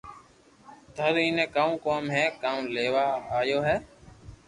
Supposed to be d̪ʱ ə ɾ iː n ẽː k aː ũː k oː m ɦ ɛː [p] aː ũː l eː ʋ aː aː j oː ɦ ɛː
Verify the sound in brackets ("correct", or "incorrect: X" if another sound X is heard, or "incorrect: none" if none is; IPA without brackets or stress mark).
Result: incorrect: k